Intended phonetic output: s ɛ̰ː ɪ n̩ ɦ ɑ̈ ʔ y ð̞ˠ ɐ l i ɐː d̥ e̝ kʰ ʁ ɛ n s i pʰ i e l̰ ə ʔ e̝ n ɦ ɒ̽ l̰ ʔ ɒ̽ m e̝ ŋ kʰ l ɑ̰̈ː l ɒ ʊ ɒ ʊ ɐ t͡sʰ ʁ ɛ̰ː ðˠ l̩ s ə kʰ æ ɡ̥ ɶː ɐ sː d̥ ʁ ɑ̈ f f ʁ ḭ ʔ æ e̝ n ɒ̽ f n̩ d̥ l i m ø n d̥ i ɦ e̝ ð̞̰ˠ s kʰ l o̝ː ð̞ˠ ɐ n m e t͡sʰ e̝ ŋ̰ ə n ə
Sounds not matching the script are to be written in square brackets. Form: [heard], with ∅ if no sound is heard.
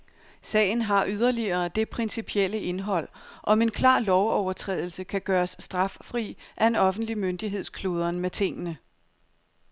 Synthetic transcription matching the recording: s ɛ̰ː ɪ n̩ ɦ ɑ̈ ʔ y ð̞ˠ ɐ l i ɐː d̥ e̝ [pʰ] ʁ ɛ n s i pʰ i e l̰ ə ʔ e̝ n ɦ ɒ̽ l̰ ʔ ɒ̽ m e̝ [n] kʰ l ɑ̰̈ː l ɒ ʊ ɒ ʊ ɐ t͡sʰ ʁ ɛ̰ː ðˠ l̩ s ə kʰ æ ɡ̥ ɶː ɐ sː d̥ ʁ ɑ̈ f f ʁ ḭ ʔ æ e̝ n ɒ̽ f n̩ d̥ l i m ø n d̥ i ɦ e̝ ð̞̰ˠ s kʰ l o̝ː ð̞ˠ ɐ n m e t͡sʰ e̝ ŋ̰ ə n ə